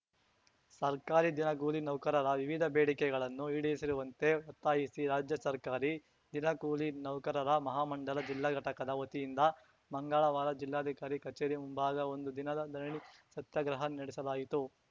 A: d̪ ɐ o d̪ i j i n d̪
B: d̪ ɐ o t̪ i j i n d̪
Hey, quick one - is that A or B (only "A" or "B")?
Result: B